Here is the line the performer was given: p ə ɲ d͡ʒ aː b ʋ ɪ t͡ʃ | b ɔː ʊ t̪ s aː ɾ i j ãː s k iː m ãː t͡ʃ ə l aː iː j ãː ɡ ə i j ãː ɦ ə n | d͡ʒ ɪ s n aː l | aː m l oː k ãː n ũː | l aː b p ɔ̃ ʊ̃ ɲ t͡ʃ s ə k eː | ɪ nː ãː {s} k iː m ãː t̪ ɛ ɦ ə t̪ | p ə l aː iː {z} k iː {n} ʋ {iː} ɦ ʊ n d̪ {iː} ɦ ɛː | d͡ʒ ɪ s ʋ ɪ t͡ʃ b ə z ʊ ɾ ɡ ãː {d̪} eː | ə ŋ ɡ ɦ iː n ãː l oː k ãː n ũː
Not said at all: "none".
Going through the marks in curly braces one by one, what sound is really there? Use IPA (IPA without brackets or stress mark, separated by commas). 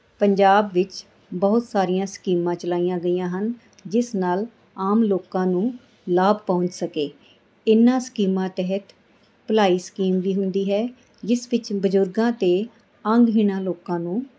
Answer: s, s, m, iː, iː, t̪